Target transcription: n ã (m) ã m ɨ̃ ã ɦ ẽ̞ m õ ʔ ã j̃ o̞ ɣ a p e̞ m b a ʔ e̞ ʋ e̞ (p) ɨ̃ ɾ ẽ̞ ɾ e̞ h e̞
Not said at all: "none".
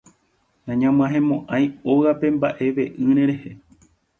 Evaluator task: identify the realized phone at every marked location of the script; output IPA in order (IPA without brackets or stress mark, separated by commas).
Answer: ɲ, ʔ